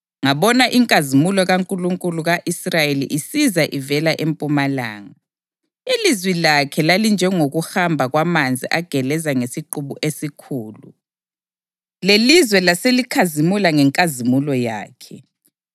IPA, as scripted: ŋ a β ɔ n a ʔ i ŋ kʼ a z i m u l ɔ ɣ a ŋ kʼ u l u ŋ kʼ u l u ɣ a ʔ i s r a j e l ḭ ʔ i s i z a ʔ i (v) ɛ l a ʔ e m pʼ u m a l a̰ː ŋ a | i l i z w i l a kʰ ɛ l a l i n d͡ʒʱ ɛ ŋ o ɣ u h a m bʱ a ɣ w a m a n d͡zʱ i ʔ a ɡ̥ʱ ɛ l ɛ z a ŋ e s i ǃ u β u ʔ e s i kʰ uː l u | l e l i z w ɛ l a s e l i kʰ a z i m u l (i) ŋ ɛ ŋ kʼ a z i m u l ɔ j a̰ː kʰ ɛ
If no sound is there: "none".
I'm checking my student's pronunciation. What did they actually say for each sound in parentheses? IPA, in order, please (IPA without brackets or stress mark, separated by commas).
v, a